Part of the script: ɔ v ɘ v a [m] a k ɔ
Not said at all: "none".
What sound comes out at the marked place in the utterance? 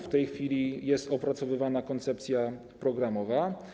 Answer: n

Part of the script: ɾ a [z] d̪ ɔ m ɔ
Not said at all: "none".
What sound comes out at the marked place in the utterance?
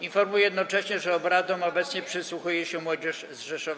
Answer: none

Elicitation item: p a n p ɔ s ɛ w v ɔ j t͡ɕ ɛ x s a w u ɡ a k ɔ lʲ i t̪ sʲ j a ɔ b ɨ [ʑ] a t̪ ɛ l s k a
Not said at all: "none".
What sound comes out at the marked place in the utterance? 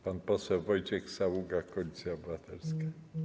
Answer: v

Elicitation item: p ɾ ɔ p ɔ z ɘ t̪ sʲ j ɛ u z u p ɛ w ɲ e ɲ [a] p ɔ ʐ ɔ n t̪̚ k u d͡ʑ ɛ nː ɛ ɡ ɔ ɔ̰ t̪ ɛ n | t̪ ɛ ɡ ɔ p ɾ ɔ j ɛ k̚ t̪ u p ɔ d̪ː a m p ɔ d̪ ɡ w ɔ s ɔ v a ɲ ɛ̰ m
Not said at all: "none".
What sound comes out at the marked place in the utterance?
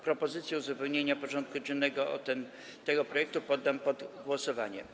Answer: a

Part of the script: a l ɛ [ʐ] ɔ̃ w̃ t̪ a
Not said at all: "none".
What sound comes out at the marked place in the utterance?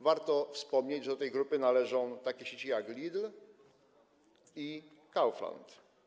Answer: ʐ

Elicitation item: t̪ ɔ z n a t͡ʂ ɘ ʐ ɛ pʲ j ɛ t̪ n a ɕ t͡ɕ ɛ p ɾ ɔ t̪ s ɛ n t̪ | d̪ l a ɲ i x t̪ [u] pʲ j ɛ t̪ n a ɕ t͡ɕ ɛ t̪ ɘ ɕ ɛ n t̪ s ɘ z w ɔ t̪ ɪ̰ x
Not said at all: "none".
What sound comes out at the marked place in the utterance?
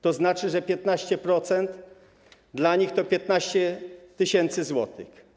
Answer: ɔ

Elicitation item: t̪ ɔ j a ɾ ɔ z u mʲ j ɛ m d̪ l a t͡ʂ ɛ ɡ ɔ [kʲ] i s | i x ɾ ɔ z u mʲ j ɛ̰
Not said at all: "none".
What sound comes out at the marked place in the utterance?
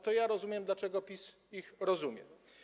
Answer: pʲ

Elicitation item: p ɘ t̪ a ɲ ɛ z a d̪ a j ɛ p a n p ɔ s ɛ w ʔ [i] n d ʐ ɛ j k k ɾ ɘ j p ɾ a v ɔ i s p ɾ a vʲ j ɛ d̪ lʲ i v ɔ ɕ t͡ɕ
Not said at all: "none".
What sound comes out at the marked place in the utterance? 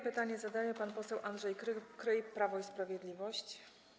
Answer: a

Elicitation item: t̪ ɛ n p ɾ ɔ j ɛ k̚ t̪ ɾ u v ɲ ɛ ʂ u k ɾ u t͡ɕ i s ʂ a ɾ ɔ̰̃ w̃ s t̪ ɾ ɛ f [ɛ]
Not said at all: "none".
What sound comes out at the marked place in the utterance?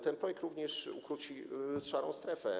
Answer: ɛ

